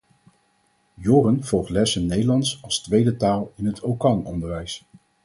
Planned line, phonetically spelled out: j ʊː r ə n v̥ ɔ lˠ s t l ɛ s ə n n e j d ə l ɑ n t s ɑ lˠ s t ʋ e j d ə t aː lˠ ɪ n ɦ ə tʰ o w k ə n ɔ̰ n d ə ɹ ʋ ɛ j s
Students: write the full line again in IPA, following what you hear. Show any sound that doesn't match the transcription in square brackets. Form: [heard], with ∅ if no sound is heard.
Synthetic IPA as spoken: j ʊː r ə n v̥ ɔ lˠ [χ] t l ɛ s ə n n e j d ə l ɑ n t s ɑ lˠ s t ʋ e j d ə t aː lˠ ɪ n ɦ ə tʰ o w k [ɑ] n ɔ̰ n d ə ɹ ʋ ɛ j s